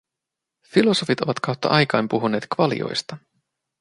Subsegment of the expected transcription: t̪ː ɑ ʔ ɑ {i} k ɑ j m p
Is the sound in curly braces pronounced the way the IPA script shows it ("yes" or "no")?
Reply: no